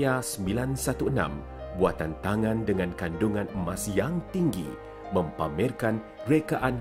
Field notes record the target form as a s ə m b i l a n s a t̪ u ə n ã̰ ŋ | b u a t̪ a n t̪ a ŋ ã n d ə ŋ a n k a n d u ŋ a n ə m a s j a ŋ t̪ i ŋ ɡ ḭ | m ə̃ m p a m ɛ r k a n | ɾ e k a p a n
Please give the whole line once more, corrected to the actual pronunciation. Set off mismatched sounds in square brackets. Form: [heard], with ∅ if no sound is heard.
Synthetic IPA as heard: a s ə m b i l a n s a t̪ u ə n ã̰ [m] | b u a t̪ a n t̪ a ŋ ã n d ə ŋ a n k a n d u ŋ a n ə m a s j a ŋ t̪ i ŋ ɡ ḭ | m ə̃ m p a m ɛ r k a n | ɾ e k a [ʔ] a n